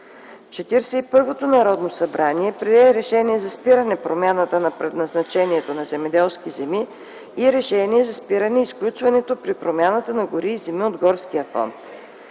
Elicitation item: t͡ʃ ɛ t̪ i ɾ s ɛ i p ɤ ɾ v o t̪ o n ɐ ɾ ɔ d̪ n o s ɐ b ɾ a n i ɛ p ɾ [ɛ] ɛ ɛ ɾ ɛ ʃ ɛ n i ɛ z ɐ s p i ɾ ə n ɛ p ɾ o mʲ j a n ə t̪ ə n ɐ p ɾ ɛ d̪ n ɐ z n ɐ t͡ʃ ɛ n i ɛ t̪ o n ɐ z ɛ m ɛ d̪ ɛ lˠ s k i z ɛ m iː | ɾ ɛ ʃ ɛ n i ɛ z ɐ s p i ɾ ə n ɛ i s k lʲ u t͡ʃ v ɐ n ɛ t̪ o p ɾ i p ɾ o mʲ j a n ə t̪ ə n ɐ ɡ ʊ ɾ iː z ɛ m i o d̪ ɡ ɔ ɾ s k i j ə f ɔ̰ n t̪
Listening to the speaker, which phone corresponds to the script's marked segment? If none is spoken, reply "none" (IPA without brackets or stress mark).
i